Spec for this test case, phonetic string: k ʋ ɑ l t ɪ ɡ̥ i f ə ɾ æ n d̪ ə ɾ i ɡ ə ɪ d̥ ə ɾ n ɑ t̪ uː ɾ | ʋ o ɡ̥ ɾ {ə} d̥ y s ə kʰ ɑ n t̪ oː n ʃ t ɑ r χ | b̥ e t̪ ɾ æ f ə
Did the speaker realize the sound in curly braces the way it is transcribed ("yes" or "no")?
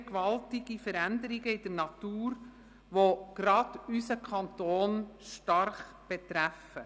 no